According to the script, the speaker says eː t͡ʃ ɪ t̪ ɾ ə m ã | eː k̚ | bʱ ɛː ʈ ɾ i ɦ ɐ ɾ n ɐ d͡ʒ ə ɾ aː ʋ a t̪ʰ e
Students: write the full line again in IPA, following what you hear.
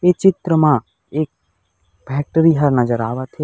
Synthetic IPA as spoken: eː t͡ʃ ɪ t̪ ɾ ə m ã | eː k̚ | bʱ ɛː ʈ ɾ i ɦ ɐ ɾ n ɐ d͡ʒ ə ɾ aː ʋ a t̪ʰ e